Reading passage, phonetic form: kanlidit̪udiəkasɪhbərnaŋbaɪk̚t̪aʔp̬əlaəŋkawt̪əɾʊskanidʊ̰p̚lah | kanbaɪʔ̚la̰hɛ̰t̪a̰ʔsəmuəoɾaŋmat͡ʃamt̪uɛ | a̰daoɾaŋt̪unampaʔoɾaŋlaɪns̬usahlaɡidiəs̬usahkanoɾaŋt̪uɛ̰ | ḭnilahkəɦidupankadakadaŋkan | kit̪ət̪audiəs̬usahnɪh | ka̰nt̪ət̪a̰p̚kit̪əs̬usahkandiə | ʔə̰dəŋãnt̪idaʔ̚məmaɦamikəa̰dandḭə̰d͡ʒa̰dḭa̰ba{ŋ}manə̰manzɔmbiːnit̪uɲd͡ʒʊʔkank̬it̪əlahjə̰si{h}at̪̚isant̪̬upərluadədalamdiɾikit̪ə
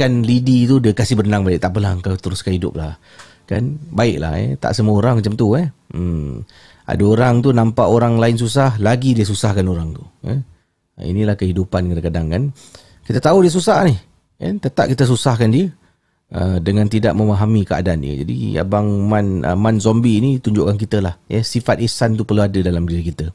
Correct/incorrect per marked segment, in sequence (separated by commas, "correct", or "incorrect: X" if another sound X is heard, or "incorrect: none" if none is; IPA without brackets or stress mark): correct, incorrect: f